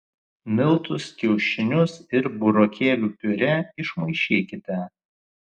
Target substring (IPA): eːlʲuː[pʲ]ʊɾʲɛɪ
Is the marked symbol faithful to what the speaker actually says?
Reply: yes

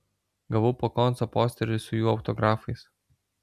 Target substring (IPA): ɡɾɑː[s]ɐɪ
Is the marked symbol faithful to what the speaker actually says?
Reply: no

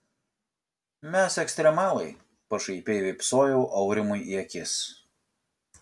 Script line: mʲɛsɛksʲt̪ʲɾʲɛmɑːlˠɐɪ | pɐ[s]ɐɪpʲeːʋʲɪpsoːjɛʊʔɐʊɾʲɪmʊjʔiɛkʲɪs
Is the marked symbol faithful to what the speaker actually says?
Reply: no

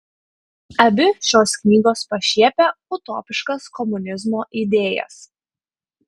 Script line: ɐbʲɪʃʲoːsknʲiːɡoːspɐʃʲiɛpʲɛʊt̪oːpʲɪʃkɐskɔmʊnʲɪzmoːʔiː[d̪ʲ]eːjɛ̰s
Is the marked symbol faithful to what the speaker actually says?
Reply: yes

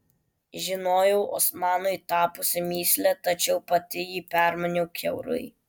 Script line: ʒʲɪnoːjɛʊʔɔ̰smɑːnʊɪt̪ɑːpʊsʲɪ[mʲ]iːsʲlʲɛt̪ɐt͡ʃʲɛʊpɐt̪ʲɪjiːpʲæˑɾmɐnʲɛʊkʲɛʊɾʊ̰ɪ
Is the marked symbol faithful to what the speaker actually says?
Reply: yes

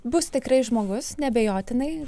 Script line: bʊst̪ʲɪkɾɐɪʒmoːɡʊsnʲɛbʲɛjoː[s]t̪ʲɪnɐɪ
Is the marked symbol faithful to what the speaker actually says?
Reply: no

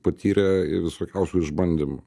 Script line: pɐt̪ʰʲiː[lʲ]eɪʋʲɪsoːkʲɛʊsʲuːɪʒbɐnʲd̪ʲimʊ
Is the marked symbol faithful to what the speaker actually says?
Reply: no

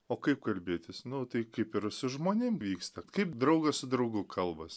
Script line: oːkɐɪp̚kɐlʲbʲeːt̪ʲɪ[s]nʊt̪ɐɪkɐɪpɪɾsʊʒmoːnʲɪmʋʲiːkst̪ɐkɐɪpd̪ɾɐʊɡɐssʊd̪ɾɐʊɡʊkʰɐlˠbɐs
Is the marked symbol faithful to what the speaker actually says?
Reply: yes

